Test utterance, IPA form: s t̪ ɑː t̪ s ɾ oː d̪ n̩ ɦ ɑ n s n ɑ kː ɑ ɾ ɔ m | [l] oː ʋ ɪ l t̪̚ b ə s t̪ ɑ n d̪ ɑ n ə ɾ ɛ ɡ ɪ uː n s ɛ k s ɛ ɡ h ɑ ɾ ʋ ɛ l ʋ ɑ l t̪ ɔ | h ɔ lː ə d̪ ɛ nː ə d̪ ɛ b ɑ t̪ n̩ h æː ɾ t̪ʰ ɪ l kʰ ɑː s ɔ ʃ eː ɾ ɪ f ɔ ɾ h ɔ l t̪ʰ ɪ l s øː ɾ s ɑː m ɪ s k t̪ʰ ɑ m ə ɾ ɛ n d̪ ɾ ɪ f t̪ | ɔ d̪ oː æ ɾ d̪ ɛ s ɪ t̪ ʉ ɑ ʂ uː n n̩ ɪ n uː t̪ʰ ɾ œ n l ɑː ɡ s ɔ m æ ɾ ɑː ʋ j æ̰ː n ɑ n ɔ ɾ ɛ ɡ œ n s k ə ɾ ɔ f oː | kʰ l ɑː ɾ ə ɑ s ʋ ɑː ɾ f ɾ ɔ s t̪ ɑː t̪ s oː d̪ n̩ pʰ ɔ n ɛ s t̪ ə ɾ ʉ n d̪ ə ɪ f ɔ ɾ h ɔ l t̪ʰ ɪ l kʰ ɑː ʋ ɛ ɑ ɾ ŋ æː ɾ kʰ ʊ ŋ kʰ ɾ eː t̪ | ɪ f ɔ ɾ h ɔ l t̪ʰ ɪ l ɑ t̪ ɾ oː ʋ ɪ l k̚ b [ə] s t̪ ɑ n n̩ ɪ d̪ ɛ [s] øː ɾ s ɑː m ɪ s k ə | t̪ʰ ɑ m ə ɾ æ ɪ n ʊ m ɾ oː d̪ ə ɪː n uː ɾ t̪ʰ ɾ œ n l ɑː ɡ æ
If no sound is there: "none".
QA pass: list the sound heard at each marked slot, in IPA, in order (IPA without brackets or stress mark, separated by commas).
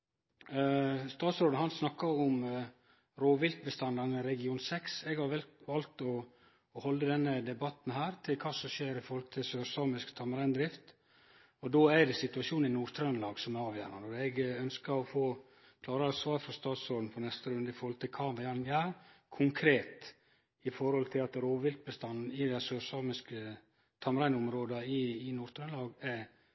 ɾ, ə, s